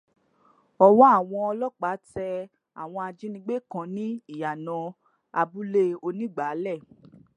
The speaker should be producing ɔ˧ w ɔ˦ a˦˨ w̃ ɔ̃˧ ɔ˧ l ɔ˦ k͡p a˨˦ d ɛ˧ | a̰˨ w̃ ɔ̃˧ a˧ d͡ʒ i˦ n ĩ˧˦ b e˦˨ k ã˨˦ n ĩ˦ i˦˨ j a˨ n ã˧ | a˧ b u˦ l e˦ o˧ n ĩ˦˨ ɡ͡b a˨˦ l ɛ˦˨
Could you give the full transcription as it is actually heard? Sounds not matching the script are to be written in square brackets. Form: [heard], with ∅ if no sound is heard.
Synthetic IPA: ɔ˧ w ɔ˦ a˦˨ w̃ ɔ̃˧ ɔ˧ l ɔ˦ k͡p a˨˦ [t] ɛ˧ | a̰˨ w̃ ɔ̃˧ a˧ d͡ʒ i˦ n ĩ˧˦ [ɡ͡b] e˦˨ k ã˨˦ n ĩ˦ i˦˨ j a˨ n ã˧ | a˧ b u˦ l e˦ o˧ n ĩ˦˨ ɡ͡b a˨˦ l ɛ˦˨